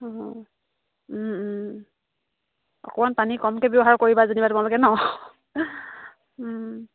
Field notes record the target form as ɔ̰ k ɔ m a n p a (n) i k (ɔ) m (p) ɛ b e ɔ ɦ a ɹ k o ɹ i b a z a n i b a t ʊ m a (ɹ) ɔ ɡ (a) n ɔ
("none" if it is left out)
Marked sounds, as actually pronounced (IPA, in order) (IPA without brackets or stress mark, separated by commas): n, ɔ, k, l, ɛ